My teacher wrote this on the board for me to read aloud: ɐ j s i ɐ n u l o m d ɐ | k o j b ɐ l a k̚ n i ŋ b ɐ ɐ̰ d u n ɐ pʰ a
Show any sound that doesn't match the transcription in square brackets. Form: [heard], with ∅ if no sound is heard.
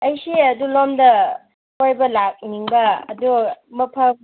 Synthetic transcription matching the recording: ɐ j s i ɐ [d] u l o m d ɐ | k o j b ɐ l a k̚ n i ŋ b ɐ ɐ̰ d u [m] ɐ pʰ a